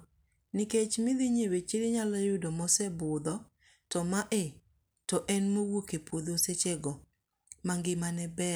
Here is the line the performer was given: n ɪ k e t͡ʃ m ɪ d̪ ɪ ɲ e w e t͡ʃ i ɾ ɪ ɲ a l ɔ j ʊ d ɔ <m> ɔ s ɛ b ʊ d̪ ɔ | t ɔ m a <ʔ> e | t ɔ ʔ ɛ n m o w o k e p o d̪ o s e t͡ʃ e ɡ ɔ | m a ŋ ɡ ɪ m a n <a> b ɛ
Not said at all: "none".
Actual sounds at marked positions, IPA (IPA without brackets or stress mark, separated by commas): m, ʔ, ɛ